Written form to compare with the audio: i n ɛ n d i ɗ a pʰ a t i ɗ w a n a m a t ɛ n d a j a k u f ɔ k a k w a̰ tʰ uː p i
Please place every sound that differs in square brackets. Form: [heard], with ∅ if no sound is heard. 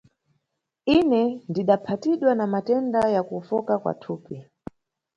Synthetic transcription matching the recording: i n ɛ n d i ɗ a pʰ a t i ɗ w a n a m a t ɛ n d a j a k u f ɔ k a k w a̰ tʰ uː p i